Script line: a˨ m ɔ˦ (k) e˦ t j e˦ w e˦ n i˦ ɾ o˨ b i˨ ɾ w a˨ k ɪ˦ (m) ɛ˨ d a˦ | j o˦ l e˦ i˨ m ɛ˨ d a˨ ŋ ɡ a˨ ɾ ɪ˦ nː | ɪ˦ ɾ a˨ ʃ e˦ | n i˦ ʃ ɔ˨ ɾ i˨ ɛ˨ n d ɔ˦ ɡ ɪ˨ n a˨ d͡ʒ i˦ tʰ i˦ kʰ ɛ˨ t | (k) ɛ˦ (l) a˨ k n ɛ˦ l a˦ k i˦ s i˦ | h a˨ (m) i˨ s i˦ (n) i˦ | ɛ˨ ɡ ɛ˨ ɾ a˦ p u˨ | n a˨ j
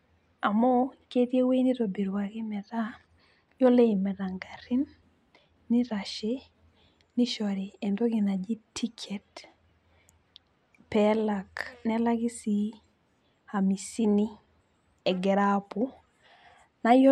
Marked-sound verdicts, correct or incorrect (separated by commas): correct, correct, incorrect, correct, correct, correct